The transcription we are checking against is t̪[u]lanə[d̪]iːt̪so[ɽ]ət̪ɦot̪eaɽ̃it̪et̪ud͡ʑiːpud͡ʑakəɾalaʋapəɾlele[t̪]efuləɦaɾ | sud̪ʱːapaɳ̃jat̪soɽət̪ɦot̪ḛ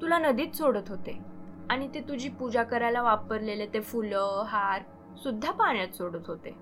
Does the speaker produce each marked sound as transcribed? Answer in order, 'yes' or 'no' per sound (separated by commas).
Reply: yes, yes, yes, yes